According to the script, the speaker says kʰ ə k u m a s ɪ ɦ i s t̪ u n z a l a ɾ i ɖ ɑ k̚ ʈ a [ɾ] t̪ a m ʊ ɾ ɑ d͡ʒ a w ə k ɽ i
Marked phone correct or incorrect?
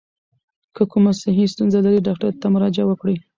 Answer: correct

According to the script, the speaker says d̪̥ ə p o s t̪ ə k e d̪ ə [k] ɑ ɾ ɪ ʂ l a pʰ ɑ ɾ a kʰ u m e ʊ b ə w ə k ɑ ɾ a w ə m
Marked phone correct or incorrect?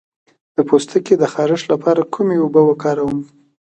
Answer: incorrect: x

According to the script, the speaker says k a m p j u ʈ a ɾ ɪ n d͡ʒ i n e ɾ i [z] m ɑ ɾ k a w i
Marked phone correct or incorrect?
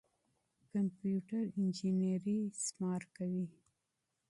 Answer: incorrect: s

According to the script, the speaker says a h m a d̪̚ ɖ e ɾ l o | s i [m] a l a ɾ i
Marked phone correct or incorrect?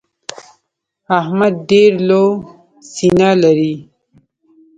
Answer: incorrect: n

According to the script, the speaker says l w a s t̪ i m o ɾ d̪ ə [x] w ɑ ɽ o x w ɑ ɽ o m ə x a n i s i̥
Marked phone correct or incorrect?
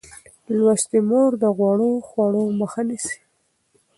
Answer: incorrect: ɣ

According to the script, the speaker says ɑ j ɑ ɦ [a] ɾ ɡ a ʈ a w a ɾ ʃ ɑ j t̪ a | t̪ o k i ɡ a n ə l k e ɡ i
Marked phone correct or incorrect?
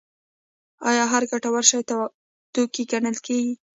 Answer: correct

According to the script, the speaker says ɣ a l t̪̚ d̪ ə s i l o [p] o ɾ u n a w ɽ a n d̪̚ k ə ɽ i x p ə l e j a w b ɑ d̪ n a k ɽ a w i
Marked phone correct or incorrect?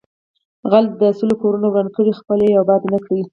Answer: incorrect: k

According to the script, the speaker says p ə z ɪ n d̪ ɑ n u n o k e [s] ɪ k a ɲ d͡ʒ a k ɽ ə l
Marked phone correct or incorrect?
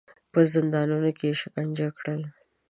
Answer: incorrect: ʃ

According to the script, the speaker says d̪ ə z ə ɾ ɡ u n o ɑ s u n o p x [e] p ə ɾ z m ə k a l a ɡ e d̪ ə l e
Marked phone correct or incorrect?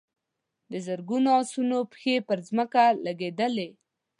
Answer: correct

